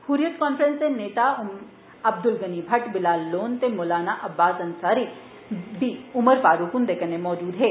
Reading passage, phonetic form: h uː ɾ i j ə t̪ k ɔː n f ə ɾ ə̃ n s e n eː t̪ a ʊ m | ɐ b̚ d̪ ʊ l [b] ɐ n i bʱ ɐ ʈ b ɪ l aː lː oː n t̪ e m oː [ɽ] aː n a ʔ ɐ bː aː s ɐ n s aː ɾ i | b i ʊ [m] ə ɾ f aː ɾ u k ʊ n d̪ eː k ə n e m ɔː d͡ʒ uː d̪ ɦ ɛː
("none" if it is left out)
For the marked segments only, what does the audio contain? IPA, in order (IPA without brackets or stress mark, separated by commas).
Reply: ɡ, l, m